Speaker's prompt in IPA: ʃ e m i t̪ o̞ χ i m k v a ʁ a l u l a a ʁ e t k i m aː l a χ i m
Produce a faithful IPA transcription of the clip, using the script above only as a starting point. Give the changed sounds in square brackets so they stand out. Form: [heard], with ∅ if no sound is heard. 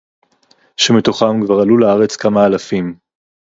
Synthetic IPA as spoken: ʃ e m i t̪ o̞ χ [a] m k v a ʁ a l u l a a ʁ e [t͡s] k [a] m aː l a [f] i m